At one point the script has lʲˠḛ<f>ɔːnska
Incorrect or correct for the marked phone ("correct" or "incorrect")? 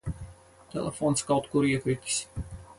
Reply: correct